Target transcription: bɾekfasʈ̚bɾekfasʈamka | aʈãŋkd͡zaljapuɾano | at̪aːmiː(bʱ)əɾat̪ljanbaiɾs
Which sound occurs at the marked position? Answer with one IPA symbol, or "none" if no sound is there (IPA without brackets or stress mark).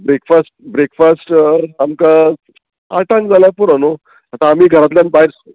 ɡʱ